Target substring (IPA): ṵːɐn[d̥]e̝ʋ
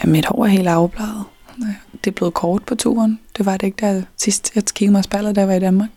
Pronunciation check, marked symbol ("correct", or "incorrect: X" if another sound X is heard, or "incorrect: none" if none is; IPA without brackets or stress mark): correct